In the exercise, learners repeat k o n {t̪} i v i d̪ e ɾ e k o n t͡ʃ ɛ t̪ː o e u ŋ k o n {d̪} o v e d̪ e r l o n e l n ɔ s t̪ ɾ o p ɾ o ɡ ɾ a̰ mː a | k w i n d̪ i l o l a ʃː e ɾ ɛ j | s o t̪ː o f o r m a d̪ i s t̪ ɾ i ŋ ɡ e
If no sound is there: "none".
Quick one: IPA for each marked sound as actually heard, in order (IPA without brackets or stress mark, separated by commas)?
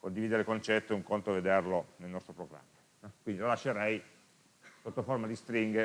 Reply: d̪, t̪